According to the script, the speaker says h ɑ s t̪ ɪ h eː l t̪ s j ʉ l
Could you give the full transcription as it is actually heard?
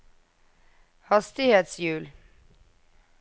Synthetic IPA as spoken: h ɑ s t̪ ɪ h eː t̪ s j ʉː l